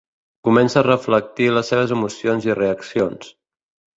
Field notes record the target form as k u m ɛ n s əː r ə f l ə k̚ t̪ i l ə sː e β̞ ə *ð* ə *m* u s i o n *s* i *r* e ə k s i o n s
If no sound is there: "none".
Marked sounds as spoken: z, m, z, r

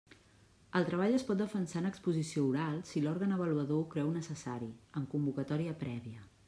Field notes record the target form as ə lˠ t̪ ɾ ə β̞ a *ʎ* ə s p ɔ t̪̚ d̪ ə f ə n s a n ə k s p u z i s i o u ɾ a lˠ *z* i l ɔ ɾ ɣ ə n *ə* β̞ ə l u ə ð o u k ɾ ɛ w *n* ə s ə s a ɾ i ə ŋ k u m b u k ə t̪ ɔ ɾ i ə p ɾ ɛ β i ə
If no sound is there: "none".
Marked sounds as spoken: ʎ, s, ə, n

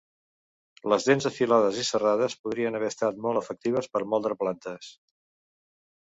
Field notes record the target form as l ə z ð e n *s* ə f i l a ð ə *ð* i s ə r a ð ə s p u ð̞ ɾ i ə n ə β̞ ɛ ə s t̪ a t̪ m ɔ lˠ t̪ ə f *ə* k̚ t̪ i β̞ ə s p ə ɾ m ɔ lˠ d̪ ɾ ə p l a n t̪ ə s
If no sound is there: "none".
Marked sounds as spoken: z, z, ə

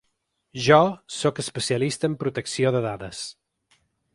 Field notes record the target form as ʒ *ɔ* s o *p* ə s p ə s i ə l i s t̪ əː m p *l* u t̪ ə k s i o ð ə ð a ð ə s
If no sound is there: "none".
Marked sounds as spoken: ɔ, k, ɾ

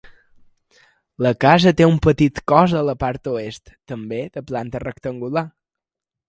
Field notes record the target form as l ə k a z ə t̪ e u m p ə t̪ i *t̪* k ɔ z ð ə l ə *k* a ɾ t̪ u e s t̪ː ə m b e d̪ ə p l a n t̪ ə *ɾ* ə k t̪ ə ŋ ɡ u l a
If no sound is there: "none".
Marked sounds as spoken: t̪, p, r

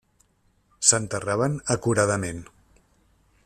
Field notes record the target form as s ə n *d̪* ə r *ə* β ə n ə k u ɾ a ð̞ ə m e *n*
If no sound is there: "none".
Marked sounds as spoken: t̪, a, n

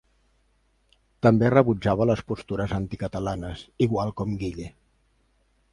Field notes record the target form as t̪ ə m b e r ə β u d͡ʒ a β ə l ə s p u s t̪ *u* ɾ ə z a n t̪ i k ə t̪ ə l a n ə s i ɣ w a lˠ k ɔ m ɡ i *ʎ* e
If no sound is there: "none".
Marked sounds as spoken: u, ʎ

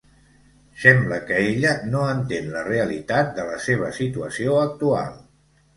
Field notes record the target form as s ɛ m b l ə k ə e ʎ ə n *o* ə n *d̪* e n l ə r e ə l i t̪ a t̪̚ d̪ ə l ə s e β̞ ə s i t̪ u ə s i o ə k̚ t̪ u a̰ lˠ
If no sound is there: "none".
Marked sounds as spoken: o, t̪

